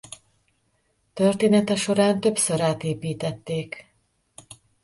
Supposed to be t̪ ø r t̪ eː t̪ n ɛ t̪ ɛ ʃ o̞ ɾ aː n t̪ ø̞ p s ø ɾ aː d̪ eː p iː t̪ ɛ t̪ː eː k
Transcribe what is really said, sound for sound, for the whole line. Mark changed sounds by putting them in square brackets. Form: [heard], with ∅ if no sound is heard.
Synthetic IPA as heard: t̪ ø r t̪ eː [∅] n ɛ t̪ ɛ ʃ o̞ ɾ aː n t̪ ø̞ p s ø ɾ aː [t̪] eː p iː t̪ ɛ t̪ː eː k